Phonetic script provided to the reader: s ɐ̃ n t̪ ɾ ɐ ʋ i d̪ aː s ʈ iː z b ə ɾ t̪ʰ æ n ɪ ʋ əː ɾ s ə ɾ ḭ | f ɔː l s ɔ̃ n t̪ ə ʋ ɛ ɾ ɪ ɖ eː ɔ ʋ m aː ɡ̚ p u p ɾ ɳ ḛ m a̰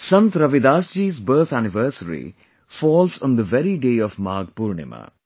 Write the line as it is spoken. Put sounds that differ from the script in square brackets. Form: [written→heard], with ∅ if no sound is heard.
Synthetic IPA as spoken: s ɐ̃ n t̪ ɾ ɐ ʋ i d̪ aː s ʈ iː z b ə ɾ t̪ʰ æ n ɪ ʋ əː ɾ s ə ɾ ḭ | f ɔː l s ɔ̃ n [t̪→d̪] ə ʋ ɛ ɾ [ɪ→i] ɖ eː ɔ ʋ m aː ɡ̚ p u [p→∅] ɾ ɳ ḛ m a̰

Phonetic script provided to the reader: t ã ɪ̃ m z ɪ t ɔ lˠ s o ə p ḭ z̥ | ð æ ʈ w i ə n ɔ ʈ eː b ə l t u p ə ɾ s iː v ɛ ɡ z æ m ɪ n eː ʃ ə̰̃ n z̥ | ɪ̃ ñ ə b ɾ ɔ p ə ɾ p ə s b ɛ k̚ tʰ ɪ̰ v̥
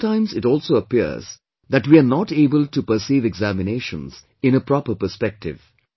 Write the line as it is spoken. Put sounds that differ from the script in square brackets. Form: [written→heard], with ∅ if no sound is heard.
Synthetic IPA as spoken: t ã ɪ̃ m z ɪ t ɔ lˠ s o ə p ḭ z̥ | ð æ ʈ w i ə n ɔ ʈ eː b ə l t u p ə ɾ s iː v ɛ ɡ z æ m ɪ n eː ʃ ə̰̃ n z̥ | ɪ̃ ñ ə [b→p] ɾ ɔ p ə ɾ p ə s [b→p] ɛ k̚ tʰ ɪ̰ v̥

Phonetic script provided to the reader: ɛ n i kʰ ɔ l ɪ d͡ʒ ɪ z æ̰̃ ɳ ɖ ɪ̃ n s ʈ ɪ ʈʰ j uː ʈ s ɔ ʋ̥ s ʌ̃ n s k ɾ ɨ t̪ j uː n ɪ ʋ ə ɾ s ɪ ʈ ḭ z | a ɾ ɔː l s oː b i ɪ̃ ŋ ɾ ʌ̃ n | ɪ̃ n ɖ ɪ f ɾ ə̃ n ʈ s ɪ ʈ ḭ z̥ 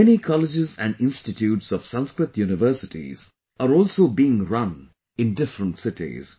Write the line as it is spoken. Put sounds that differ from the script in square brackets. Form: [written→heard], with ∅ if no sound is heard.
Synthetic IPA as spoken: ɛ n i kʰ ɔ l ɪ d͡ʒ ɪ z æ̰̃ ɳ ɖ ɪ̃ n s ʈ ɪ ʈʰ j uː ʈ s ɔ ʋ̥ s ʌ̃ n s k ɾ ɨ t̪ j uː n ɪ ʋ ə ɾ s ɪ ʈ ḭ z | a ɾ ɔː l s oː b i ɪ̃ ŋ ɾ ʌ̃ n | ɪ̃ n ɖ ɪ f ɾ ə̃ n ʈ s ɪ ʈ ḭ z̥

